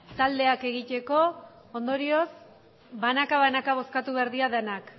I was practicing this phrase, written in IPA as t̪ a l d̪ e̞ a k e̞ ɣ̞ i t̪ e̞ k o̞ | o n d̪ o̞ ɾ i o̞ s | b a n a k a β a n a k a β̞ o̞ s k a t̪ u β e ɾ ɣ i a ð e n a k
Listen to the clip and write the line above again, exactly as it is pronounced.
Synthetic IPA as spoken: t̪ a l d̪ e̞ a k e̞ ɣ̞ i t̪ e̞ k o̞ | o n d̪ o̞ ɾ i o̞ s | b a n a k a β a n a k a β̞ o̞ s k a t̪ u β e ɾ ð i a ð e n a k